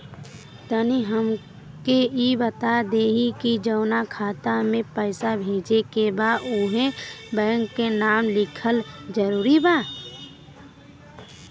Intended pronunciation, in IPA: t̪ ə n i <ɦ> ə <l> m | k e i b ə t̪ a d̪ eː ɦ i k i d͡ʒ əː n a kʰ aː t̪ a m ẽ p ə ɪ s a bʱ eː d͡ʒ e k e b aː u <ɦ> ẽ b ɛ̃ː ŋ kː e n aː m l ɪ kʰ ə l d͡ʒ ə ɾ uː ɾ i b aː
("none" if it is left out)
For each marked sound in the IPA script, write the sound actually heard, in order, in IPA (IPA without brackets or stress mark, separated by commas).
ɦ, none, ɦ